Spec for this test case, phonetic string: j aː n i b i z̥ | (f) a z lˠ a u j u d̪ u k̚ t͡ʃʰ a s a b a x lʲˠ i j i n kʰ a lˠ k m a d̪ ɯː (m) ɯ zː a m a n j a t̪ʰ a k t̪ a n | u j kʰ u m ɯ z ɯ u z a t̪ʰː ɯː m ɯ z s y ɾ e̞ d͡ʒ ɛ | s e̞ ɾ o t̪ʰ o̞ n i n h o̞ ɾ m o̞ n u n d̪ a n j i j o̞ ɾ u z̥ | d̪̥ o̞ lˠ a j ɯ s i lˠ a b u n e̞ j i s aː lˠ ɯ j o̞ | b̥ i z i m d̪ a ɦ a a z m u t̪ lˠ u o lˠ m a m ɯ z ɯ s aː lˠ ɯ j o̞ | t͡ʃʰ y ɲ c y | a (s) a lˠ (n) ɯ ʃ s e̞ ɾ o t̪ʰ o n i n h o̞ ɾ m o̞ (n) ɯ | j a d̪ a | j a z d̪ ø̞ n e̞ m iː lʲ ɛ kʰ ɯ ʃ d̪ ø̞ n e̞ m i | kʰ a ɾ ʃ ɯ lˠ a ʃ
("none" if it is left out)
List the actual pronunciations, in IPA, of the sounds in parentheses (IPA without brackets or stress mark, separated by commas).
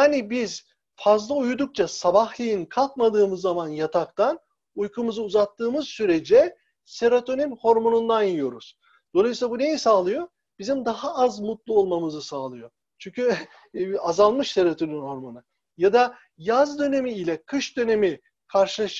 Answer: f, m, z, m, n